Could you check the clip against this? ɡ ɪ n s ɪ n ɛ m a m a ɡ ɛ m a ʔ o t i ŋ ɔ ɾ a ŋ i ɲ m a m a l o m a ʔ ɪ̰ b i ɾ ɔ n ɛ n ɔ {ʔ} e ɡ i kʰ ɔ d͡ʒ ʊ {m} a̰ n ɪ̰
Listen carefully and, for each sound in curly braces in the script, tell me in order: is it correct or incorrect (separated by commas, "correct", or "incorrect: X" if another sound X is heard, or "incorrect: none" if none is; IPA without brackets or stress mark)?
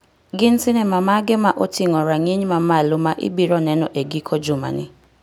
correct, correct